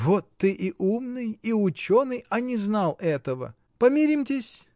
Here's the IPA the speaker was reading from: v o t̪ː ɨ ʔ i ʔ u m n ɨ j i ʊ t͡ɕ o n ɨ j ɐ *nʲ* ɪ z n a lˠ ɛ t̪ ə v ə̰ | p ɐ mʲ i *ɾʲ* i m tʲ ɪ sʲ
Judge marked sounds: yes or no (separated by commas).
yes, yes